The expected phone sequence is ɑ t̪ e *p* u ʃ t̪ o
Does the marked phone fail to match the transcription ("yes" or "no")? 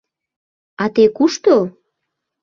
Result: yes